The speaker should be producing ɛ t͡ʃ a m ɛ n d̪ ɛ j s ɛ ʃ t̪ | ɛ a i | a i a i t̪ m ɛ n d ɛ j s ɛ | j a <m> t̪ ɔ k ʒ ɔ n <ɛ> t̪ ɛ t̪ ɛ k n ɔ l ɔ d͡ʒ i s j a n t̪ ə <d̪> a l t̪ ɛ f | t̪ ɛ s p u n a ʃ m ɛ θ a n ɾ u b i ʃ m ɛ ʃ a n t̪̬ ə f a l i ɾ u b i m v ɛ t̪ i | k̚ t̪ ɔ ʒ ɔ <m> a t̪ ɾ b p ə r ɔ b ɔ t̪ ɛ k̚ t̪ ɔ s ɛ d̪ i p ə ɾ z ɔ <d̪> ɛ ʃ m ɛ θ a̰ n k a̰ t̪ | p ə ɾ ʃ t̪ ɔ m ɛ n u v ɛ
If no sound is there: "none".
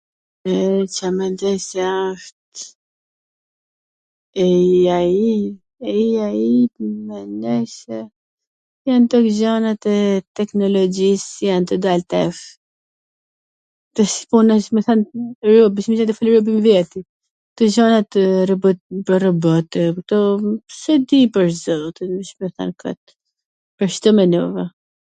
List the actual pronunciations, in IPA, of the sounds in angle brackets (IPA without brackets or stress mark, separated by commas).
n, a, d̪, n, t̪